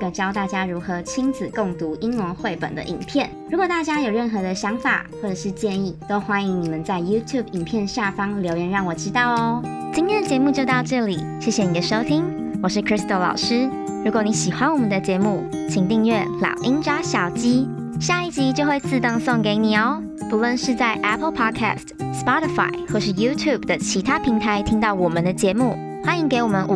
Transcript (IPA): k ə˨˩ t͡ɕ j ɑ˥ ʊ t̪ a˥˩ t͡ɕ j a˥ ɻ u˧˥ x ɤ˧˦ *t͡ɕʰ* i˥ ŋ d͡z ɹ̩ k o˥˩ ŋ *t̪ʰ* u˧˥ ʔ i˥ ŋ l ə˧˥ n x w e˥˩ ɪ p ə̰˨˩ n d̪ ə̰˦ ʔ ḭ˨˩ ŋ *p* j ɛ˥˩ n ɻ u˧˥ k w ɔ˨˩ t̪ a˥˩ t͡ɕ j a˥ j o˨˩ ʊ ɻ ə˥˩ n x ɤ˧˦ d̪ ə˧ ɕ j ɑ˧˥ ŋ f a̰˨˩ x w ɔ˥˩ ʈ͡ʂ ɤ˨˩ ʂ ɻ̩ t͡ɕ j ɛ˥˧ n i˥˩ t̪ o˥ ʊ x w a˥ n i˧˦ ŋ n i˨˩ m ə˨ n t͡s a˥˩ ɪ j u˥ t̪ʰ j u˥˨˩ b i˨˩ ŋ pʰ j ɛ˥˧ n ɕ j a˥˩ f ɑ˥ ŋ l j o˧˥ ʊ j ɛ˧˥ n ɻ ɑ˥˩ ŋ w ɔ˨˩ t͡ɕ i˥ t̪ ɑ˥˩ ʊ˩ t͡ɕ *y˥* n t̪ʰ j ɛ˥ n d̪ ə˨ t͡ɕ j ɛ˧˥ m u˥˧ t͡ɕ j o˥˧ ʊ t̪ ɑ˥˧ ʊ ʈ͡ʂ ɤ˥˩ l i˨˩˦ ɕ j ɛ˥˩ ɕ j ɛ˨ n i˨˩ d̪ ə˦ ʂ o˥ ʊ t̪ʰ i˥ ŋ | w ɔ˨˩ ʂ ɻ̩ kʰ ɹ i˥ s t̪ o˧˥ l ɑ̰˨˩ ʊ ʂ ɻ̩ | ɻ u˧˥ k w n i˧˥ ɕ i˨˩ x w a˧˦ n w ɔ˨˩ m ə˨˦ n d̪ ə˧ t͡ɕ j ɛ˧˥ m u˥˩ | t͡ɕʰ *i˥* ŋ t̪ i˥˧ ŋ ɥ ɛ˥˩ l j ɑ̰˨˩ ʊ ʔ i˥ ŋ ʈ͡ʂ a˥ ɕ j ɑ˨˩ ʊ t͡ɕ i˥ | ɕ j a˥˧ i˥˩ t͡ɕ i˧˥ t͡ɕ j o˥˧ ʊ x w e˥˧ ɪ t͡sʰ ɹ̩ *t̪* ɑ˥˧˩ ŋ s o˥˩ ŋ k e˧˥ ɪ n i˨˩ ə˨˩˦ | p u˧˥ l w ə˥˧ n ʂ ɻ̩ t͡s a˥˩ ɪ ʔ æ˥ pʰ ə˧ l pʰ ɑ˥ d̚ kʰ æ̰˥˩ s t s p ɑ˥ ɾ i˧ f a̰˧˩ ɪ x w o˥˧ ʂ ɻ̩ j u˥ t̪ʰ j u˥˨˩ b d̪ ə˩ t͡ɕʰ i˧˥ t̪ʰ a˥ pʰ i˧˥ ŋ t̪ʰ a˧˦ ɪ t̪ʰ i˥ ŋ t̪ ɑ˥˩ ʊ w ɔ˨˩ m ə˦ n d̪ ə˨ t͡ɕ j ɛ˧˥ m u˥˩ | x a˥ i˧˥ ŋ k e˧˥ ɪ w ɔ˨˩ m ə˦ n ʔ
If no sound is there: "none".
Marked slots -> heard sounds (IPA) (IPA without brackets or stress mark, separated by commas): t͡ɕʰ, t̪, pʰ, i˥, i˨˩, t̪